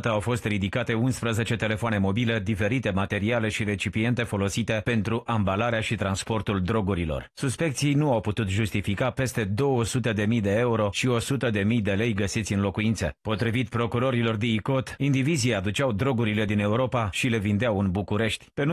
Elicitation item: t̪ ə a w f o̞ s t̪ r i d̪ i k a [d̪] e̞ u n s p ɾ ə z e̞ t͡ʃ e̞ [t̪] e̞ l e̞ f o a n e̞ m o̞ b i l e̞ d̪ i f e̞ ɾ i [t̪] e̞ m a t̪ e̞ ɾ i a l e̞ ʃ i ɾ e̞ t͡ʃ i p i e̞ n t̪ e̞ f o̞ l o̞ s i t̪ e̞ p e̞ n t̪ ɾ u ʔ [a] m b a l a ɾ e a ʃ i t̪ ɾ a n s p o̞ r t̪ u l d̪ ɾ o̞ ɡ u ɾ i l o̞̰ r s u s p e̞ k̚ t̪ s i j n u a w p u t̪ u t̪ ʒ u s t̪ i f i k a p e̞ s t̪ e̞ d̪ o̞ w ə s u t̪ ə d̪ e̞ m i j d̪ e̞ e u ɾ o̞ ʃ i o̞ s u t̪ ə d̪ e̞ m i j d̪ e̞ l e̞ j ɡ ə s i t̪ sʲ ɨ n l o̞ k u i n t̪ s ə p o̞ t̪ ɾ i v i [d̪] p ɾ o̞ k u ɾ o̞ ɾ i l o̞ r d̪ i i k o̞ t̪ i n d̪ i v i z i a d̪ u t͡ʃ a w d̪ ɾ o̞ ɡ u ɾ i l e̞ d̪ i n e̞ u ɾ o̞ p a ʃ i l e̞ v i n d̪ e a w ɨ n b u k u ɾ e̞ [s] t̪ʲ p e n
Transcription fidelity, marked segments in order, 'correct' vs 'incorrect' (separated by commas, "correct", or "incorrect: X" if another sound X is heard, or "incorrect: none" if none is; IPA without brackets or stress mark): incorrect: t̪, correct, correct, correct, incorrect: t̪, incorrect: ʃ